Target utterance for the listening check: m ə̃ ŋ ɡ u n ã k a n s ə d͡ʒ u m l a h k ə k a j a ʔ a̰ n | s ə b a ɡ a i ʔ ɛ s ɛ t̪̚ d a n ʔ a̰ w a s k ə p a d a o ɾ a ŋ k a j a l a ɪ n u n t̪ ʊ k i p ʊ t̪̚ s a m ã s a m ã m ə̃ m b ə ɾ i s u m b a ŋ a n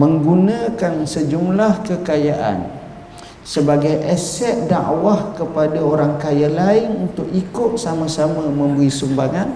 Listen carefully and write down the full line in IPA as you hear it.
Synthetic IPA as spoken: m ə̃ ŋ ɡ u n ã k a n s ə d͡ʒ u m l a h k ə k a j a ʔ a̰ n | s ə b a ɡ a j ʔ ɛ s ɛ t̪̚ d a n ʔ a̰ w a h k ə p a d a o ɾ a ŋ k a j a l a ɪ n u n t̪ ʊ k i k ʊ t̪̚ s a m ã s a m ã m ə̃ m b ə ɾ i s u m b a ŋ a n